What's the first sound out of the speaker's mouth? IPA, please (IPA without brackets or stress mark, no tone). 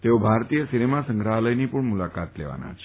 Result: t̪